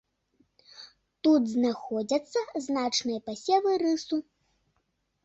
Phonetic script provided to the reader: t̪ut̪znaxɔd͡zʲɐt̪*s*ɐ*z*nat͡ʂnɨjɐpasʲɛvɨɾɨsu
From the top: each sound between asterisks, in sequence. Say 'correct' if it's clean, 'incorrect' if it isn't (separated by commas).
incorrect, correct